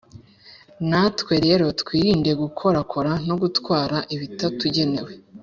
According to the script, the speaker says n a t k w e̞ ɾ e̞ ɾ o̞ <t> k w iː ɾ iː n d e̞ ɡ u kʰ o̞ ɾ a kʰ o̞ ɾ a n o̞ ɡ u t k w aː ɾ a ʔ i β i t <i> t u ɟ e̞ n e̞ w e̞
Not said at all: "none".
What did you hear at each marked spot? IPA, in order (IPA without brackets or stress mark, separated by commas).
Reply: t, a